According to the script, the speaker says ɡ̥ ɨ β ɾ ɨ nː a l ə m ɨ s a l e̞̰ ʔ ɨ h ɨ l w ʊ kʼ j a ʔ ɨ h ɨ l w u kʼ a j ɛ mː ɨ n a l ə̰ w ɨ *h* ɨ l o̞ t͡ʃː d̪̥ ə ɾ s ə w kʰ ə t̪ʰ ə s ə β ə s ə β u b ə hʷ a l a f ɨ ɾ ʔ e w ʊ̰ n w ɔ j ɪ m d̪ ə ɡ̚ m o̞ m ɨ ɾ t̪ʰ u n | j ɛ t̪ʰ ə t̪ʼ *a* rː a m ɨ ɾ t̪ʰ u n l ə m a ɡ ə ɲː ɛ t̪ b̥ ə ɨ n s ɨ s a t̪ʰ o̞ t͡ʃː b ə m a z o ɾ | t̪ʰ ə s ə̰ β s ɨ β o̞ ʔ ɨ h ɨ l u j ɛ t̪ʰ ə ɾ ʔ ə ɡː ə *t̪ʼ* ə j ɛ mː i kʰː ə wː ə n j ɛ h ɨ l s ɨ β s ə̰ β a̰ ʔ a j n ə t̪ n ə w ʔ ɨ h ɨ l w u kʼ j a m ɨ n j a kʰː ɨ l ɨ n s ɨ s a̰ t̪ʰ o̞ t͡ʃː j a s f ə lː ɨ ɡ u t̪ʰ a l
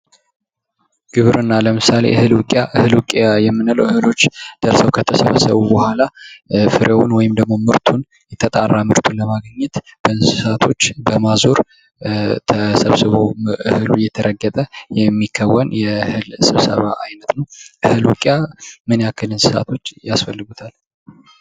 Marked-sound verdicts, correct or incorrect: correct, correct, correct

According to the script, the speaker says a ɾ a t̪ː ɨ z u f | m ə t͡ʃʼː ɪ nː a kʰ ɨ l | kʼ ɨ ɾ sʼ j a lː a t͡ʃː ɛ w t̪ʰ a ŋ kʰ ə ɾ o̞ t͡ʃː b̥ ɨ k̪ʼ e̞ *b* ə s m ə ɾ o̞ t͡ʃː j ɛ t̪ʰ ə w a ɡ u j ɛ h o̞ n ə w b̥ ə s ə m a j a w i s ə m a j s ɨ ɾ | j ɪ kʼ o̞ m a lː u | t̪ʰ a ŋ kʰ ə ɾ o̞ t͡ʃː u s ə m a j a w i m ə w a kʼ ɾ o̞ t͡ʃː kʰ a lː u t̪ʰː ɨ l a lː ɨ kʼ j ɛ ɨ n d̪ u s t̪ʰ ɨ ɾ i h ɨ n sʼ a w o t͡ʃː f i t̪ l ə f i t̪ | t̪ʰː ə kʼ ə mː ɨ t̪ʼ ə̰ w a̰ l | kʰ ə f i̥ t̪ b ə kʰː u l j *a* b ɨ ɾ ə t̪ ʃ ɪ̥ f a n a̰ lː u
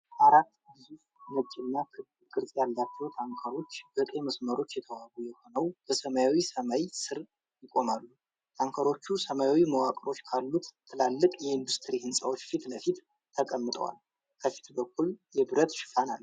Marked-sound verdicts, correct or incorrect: incorrect: m, incorrect: ɛ

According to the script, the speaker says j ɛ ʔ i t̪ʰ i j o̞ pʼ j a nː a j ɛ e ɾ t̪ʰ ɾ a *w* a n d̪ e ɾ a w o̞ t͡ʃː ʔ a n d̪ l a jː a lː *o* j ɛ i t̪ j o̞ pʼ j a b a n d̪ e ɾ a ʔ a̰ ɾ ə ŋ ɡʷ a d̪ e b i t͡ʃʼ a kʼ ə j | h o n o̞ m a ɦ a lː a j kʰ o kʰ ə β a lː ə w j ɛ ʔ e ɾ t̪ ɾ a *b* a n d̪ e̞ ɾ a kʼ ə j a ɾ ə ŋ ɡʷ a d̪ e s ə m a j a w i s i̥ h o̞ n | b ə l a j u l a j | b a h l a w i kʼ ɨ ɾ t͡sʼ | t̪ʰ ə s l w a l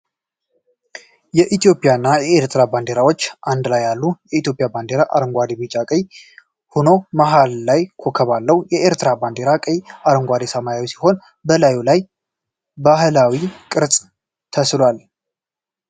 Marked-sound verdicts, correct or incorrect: incorrect: b, incorrect: u, correct

